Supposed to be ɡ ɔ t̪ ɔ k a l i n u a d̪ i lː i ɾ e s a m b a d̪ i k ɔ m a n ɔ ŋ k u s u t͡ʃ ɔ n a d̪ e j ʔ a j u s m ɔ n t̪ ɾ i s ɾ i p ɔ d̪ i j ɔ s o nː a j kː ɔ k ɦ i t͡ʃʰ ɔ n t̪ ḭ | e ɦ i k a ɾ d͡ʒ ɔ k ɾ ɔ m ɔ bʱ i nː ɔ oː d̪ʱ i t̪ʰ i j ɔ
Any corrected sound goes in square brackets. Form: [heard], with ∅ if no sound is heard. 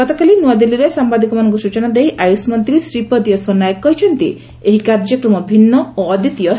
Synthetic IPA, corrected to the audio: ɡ ɔ t̪ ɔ k a l i n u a d̪ i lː i ɾ e s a m b a d̪ i k ɔ m a n ɔ ŋ k u s u t͡ʃ ɔ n a d̪ e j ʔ a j u s m ɔ n t̪ ɾ i s ɾ i p ɔ d̪ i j ɔ s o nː a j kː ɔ [∅] ɦ i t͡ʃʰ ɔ n t̪ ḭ | e ɦ i k a ɾ d͡ʒ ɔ k ɾ ɔ m ɔ bʱ i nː ɔ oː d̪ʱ i [t̪] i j ɔ